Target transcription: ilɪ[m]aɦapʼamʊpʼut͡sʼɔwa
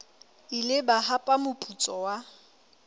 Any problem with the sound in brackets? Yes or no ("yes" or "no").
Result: yes